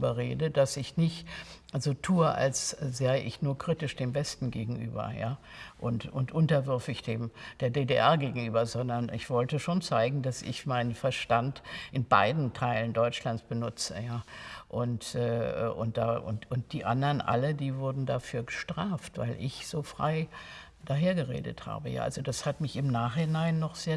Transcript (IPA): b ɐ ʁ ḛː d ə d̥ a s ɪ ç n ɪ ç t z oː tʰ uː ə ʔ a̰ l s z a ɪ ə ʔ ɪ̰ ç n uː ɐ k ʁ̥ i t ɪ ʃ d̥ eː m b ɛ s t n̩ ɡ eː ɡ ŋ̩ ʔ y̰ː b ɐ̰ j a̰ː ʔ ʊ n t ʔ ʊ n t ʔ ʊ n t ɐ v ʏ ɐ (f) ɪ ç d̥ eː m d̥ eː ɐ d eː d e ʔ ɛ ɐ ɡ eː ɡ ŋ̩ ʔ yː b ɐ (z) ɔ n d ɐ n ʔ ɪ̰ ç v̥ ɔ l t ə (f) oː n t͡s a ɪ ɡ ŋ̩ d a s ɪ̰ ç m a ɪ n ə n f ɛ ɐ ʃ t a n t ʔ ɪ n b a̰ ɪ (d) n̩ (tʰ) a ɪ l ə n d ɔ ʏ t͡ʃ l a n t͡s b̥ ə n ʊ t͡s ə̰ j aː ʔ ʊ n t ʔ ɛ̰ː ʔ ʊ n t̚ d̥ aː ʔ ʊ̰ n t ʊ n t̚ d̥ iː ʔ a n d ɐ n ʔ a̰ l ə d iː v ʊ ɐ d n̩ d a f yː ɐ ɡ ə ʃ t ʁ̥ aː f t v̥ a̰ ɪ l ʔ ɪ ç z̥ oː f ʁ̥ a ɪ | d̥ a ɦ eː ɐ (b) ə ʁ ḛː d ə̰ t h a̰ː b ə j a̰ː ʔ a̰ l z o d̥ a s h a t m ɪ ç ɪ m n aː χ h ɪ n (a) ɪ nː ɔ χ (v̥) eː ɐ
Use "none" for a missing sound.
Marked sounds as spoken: f, z, ʃ, d, tʰ, ɡ, a, z̥

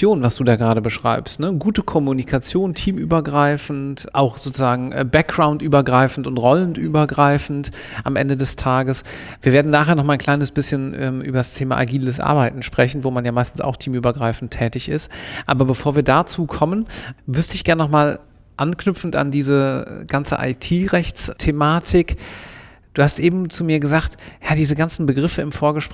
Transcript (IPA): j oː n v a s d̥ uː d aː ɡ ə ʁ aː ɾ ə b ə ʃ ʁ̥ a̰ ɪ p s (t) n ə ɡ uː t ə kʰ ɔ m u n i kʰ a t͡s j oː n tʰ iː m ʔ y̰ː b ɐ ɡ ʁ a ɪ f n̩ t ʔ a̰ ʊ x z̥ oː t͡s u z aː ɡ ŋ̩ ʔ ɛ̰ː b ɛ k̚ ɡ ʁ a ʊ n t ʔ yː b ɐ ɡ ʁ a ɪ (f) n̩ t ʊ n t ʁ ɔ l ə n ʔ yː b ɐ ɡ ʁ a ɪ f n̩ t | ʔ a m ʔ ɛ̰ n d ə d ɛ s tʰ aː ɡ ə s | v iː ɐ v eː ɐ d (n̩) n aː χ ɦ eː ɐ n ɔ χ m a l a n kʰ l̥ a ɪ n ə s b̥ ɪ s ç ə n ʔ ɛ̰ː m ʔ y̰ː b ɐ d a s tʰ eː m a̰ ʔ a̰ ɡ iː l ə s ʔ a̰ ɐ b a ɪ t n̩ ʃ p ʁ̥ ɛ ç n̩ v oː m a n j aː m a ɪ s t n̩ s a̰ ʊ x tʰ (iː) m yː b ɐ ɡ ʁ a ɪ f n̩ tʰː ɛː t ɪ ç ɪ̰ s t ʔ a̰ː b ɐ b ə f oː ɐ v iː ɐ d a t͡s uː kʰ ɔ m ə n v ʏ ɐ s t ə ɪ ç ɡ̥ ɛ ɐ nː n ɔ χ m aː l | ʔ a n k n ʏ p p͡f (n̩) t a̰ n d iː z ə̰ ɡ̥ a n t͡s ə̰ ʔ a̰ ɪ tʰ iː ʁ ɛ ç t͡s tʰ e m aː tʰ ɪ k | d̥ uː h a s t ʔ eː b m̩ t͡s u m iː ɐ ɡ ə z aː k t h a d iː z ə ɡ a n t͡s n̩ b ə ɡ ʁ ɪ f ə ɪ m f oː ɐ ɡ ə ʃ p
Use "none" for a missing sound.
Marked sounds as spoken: t, f, n̩, iː, n̩

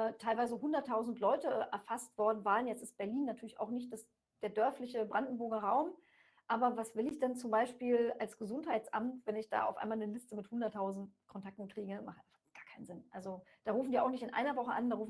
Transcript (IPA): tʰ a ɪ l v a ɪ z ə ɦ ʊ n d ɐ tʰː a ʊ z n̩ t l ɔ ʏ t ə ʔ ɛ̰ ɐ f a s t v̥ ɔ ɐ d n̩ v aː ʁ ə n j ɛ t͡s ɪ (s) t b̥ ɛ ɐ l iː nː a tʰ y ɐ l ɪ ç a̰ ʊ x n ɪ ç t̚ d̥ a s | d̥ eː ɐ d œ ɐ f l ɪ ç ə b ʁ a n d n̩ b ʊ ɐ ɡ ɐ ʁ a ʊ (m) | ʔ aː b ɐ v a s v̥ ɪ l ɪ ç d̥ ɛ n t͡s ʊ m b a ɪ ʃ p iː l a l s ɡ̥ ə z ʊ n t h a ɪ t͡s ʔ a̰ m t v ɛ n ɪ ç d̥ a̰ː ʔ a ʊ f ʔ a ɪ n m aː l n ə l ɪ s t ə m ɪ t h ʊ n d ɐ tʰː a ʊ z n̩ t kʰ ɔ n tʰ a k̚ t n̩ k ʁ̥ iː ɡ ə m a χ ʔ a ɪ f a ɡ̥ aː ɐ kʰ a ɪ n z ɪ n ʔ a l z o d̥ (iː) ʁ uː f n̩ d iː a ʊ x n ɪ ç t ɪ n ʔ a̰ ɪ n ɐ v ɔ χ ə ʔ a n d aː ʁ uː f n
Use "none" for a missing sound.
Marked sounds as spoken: s, m, aː

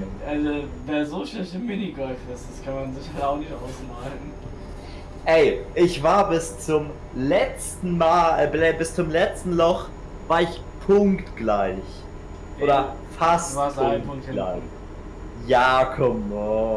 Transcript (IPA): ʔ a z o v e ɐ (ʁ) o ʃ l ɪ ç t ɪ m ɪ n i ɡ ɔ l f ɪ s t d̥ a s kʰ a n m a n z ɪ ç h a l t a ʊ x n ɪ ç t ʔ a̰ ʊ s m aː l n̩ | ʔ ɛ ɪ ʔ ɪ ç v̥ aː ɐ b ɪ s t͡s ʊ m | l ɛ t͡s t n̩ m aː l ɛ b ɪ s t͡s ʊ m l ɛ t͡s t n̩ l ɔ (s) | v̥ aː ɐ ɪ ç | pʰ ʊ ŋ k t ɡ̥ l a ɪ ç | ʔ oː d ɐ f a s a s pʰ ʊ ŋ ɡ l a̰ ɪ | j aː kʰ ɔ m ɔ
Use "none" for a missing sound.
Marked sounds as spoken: z, χ

